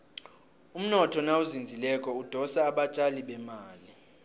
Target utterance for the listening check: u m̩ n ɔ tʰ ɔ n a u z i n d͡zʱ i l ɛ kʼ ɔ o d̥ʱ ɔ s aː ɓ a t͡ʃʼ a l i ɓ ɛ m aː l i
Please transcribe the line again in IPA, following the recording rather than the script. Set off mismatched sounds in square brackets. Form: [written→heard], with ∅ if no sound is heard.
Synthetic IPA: u m̩ n ɔ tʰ ɔ n a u z i n d͡zʱ i l ɛ kʼ ɔ [o→u] d̥ʱ ɔ s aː ɓ a t͡ʃʼ a l i ɓ ɛ m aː l i